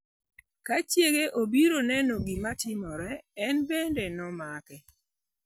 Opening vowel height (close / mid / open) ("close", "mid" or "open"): open